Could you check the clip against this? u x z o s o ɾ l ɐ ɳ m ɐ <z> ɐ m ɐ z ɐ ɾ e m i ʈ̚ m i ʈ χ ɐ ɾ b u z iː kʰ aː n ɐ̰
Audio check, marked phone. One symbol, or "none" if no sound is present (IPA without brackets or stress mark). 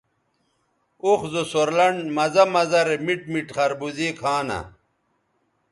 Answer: z